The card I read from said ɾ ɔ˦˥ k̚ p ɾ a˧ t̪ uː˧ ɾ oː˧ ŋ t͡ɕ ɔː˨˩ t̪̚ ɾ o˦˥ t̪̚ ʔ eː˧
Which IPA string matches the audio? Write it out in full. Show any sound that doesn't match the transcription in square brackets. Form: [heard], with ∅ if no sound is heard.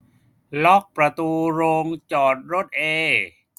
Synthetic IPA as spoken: [l] ɔ˦˥ k̚ p ɾ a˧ t̪ uː˧ ɾ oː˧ ŋ t͡ɕ ɔː˨˩ t̪̚ ɾ o˦˥ t̪̚ ʔ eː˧